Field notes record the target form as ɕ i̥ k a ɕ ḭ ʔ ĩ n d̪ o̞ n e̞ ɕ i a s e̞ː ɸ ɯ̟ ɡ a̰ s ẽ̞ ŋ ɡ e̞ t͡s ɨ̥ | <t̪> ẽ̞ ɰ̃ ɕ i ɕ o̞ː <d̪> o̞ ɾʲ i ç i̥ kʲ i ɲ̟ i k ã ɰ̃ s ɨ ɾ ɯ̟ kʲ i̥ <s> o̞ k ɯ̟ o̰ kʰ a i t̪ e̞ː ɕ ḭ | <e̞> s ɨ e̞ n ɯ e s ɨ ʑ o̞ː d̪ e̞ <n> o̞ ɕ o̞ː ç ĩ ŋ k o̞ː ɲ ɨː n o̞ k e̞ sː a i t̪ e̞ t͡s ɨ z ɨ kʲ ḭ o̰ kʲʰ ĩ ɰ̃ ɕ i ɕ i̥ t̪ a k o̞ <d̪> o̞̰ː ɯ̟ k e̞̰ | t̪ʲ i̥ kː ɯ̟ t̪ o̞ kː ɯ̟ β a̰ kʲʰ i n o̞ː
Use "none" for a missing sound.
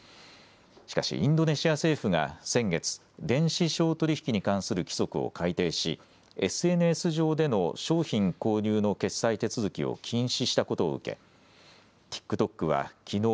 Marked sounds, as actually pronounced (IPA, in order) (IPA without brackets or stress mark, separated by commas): d̪, t̪, s, e̞, n, t̪